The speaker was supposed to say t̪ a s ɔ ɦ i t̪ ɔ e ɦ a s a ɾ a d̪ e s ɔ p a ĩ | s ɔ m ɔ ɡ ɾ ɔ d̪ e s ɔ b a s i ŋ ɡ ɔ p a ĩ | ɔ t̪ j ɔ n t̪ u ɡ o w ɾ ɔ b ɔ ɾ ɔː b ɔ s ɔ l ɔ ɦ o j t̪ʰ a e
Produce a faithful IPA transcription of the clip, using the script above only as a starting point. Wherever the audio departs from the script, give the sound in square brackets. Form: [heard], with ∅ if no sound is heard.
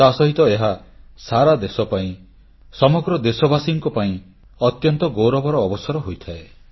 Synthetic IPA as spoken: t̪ a s ɔ ɦ i t̪ ɔ e ɦ a s a ɾ a d̪ e s ɔ p a ĩ | s ɔ m ɔ ɡ ɾ ɔ d̪ e s ɔ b a s i ŋ [k] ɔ p a ĩ | ɔ t̪ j ɔ n t̪ [ɔ] ɡ o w ɾ ɔ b ɔ ɾ ɔː b ɔ s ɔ [ɾ] ɔ ɦ o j t̪ʰ a e